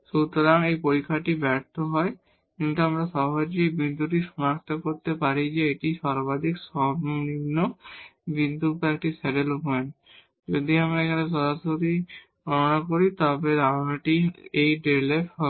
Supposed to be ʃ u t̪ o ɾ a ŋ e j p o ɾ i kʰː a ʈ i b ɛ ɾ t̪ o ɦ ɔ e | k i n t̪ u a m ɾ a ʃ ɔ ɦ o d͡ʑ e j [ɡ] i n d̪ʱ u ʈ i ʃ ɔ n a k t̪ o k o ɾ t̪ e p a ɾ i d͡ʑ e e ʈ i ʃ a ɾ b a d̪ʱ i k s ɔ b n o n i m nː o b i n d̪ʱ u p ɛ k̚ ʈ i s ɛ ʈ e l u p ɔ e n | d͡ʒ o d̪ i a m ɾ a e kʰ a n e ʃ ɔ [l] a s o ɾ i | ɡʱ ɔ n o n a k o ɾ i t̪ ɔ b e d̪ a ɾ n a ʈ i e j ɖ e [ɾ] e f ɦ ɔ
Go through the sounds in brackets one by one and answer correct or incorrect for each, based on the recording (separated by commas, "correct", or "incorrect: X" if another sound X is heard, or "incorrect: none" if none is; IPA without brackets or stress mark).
incorrect: b, incorrect: ɾ, incorrect: l